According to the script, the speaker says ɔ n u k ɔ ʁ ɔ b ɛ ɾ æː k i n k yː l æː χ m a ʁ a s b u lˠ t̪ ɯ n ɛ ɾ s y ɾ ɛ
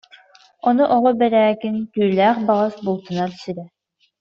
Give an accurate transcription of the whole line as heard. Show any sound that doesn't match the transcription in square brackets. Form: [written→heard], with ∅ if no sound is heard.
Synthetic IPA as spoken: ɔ n u [k→ʔ] ɔ ʁ ɔ b ɛ ɾ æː k i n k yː l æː χ [m→b] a ʁ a s b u lˠ t̪ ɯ n [ɛ→a] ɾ s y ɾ ɛ